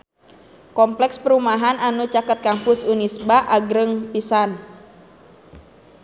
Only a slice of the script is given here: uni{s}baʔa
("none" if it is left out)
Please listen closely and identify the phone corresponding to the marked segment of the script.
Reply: s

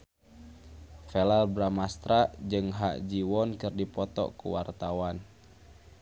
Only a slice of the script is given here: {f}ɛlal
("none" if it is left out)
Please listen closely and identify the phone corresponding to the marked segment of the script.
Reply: f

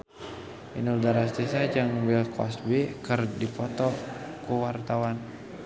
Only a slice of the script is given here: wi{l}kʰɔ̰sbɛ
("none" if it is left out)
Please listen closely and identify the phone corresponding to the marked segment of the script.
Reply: l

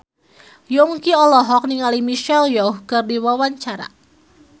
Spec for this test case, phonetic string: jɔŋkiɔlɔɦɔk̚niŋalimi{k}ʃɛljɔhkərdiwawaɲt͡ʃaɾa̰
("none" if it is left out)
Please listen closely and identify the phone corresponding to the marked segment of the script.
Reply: none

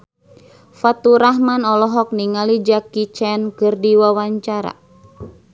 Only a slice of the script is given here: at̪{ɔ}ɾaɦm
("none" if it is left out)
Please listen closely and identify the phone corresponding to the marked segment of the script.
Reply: u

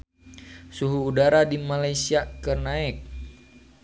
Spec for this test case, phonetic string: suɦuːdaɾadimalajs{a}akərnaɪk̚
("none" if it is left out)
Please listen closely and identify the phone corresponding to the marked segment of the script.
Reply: i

